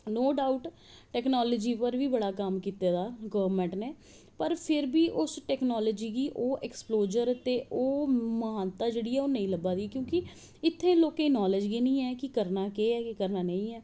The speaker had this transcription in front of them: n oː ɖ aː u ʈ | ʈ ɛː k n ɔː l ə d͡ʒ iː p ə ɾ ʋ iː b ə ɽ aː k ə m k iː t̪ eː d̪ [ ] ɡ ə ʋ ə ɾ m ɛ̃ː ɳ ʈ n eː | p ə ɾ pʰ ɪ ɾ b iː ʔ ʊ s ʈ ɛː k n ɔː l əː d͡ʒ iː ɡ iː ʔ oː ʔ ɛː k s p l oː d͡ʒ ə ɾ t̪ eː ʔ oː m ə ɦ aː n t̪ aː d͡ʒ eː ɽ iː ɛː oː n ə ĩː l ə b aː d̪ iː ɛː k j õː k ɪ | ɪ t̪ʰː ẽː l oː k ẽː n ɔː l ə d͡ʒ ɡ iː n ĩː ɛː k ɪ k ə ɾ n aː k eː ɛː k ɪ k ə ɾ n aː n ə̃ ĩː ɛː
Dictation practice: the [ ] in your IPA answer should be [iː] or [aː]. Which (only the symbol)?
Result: aː